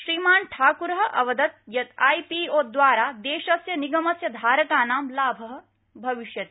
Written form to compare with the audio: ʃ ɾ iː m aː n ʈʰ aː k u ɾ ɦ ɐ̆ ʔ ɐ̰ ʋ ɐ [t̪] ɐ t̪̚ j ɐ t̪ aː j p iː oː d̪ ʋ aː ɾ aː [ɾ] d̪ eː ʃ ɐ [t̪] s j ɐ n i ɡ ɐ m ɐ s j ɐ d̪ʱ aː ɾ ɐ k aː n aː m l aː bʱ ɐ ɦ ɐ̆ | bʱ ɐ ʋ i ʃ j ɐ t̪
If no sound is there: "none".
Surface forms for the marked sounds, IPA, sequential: d̪, none, none

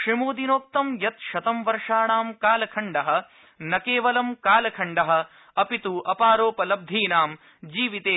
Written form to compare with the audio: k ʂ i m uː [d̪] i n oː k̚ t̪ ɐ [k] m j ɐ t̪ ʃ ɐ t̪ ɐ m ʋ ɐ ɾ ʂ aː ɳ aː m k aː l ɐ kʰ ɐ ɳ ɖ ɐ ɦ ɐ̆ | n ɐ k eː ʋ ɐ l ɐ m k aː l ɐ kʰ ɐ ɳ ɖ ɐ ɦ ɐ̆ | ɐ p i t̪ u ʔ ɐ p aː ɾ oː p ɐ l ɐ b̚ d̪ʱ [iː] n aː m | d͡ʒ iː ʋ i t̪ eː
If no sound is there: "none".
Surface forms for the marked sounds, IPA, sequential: d̪, none, iː

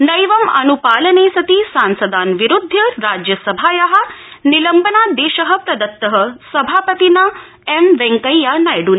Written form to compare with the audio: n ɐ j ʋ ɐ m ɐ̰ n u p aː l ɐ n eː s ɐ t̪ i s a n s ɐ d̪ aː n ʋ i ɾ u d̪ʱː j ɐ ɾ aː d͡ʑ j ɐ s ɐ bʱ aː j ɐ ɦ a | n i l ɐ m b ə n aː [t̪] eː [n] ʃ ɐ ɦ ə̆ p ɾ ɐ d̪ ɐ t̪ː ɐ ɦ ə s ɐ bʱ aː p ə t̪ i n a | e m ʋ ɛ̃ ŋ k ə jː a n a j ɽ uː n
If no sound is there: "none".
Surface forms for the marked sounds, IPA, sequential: d̪, none

